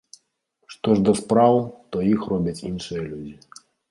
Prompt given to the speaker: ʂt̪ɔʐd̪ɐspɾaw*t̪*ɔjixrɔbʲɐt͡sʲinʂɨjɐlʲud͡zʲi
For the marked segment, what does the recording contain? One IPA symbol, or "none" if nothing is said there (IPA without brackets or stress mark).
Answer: t̪